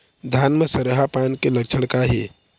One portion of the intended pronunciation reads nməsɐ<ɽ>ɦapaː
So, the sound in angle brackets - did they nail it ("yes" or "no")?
no